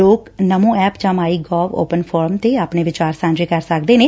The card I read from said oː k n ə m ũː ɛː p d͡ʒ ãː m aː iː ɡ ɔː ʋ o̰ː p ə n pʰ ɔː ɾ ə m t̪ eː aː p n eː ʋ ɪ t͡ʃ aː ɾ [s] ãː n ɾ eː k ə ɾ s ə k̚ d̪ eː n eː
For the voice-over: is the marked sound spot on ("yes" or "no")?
yes